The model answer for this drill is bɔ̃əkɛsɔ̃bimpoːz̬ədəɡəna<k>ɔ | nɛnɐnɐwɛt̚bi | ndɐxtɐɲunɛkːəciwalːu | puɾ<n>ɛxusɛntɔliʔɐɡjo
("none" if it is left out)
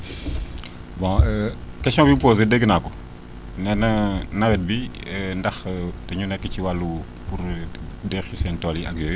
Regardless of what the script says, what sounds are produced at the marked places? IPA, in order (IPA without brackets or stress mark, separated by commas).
k, d